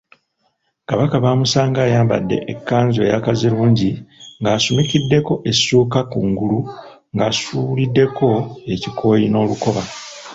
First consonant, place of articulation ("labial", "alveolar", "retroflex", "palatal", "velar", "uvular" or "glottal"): velar